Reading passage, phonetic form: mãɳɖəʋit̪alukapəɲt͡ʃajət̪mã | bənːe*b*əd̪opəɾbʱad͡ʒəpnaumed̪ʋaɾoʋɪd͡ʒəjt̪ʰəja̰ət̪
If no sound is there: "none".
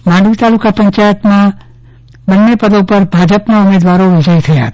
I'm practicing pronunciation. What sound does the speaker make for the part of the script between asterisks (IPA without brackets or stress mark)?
p